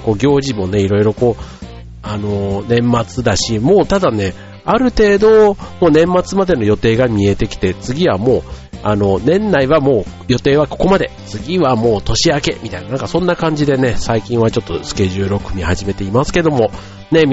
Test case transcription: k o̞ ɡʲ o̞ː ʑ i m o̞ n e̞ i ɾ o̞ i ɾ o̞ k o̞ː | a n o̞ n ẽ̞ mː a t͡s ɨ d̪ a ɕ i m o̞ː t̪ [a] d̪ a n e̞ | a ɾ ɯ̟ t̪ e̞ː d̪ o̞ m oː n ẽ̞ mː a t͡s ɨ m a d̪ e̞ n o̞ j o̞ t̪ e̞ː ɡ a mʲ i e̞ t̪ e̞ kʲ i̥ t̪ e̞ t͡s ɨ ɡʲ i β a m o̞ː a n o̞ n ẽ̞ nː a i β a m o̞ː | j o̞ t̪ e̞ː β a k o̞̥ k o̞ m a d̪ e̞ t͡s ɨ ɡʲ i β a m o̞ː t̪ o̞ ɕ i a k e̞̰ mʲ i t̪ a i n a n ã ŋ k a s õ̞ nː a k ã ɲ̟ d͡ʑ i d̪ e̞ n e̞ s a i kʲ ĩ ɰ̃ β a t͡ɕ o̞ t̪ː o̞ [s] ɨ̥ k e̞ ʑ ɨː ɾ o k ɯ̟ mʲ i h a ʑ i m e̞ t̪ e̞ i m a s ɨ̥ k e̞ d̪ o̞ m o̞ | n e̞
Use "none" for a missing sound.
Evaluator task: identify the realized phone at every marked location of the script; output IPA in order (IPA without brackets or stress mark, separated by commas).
a, s